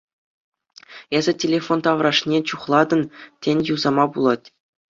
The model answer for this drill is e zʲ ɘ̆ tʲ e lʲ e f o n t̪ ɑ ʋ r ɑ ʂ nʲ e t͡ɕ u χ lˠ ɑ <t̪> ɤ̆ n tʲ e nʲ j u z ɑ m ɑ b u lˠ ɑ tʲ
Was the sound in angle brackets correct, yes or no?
no